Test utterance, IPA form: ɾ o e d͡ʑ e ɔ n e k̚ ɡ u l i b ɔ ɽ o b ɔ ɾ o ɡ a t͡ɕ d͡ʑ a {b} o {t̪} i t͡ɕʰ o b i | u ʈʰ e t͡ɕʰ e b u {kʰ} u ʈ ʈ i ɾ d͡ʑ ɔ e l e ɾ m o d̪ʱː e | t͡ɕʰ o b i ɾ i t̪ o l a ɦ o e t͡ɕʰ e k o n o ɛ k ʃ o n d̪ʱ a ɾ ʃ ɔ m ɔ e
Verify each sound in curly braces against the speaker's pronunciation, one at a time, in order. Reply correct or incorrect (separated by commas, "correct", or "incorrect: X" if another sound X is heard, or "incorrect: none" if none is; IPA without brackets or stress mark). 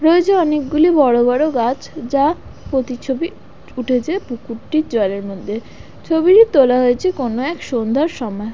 incorrect: p, correct, incorrect: k